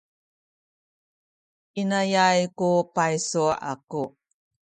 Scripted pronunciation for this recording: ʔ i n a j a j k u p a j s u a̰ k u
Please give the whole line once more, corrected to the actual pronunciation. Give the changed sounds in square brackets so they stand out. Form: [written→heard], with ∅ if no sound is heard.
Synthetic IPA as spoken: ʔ i n a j a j k u p a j s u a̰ k u